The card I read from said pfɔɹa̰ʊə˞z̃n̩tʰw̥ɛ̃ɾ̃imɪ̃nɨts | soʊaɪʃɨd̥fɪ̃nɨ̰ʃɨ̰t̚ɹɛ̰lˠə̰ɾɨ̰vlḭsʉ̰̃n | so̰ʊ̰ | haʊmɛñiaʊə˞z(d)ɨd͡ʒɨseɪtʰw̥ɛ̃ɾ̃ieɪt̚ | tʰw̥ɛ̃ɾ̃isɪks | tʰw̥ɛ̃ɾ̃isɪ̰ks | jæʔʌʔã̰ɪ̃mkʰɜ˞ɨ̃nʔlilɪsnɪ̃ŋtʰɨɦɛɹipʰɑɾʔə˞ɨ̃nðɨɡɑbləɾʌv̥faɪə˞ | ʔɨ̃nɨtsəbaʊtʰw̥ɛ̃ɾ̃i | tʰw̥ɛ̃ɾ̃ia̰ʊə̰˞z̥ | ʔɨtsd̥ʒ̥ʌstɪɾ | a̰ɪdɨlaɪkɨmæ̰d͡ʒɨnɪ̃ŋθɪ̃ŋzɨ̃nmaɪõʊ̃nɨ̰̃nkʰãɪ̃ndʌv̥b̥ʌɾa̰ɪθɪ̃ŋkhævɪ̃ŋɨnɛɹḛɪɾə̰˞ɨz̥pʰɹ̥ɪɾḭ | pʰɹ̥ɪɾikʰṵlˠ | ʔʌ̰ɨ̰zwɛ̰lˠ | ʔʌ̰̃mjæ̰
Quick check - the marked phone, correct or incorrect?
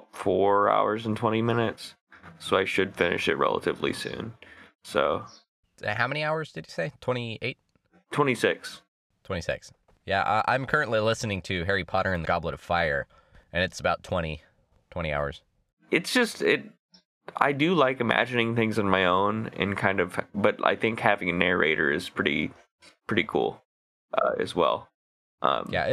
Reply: correct